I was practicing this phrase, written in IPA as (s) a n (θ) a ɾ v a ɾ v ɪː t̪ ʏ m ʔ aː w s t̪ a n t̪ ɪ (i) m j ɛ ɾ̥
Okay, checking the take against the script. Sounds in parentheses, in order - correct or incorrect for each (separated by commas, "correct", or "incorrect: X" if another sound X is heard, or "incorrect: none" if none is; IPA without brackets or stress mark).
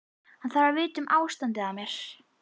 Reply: incorrect: h, correct, incorrect: a